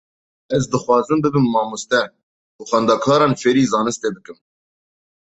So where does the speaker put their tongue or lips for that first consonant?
tongue tip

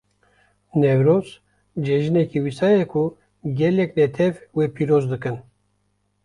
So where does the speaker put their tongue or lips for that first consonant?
tongue tip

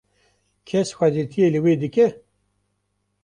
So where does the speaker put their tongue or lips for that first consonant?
velum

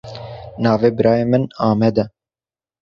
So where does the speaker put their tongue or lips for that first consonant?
tongue tip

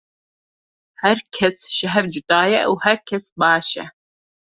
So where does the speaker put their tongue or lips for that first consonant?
throat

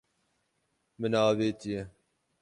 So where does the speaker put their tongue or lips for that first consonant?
lips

